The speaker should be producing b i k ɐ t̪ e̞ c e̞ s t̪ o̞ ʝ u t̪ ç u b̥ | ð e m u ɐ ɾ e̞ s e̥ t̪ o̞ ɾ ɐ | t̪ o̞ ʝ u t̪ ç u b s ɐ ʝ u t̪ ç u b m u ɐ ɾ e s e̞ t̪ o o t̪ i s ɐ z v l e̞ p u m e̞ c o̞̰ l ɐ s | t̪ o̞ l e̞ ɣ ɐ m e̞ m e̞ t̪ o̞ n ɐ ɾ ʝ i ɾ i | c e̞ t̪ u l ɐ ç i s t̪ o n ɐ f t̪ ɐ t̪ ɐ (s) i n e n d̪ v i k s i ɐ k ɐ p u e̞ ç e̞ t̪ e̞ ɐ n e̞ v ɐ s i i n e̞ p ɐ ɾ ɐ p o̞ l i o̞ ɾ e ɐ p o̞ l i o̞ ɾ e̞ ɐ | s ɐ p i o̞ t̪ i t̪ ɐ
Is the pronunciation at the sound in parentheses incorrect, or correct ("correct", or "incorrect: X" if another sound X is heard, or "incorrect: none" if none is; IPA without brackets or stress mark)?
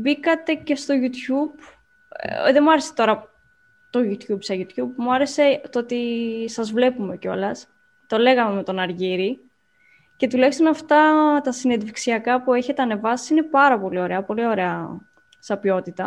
correct